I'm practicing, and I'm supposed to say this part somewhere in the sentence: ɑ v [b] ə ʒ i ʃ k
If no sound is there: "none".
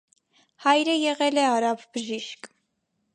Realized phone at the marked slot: b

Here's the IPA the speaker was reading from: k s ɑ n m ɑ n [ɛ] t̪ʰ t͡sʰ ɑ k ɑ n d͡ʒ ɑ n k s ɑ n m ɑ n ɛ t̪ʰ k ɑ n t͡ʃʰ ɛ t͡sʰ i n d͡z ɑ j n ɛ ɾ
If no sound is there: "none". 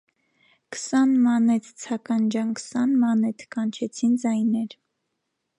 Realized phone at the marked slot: ɛ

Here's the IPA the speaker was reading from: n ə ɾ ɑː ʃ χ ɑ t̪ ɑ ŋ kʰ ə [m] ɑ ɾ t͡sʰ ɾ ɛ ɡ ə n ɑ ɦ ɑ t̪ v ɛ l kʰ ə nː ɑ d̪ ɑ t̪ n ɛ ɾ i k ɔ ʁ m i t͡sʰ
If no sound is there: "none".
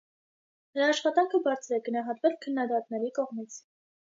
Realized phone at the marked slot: b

